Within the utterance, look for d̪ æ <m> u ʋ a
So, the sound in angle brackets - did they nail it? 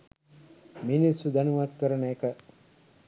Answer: no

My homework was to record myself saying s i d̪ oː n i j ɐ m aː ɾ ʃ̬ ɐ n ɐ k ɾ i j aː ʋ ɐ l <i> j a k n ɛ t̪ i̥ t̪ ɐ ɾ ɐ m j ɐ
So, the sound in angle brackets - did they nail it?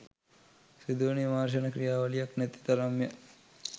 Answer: yes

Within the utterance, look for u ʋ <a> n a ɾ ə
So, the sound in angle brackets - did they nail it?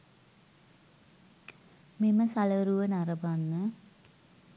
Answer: no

